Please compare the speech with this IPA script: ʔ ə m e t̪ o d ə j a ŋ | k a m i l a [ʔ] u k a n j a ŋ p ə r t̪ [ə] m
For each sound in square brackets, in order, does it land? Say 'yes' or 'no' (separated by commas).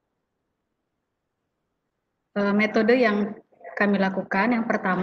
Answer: no, no